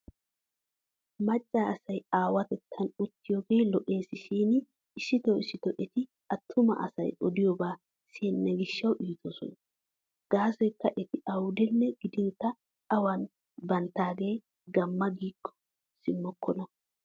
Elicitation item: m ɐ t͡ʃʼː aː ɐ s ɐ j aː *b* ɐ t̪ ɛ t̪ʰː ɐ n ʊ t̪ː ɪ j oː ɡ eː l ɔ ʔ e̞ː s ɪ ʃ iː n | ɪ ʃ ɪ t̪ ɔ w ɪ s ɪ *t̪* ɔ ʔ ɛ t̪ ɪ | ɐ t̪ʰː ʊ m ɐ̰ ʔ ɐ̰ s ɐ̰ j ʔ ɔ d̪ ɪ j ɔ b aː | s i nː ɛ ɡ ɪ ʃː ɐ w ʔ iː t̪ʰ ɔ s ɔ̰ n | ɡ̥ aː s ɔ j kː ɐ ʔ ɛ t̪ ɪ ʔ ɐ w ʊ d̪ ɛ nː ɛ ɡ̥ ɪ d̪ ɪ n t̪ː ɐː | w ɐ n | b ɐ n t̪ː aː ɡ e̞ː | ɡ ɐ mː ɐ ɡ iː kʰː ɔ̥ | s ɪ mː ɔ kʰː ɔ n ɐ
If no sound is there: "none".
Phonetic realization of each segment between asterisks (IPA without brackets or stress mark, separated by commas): w, t̪